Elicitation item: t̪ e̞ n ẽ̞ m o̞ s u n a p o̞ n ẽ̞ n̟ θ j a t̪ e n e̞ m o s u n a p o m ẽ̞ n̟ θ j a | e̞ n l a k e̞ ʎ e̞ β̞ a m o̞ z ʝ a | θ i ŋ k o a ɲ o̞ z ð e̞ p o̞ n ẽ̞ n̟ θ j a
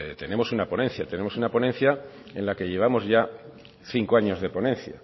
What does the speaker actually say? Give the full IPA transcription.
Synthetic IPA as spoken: t̪ e̞ n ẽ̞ m o̞ s u n a p o̞ n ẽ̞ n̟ θ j a t̪ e n e̞ m o s u n a p o n ẽ̞ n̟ θ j a | e̞ n l a k e̞ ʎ e̞ β̞ a m o̞ z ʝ a | θ i ŋ k o a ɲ o̞ z ð e̞ p o̞ n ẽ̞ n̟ θ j a